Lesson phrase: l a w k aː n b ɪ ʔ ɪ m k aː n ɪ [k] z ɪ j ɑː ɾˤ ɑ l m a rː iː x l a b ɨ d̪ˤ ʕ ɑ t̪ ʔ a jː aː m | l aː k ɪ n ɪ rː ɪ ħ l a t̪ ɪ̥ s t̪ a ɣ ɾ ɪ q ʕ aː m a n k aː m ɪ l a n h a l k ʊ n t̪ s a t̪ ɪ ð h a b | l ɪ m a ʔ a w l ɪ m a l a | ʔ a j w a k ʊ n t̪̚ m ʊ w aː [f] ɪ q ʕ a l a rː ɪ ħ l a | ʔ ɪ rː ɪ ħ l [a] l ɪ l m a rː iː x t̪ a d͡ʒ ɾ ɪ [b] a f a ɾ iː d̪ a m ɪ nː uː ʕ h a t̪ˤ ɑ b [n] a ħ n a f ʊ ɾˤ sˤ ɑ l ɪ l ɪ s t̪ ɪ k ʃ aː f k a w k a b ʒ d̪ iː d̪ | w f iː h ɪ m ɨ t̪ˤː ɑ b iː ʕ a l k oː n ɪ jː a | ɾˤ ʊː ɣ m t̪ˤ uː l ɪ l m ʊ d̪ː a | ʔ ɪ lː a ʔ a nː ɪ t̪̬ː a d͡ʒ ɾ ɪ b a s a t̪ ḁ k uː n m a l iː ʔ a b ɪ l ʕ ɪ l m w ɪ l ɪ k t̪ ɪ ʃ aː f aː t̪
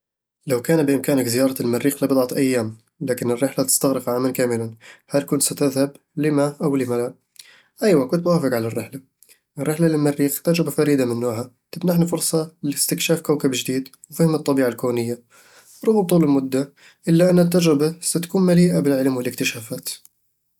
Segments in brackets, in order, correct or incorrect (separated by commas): correct, correct, correct, correct, correct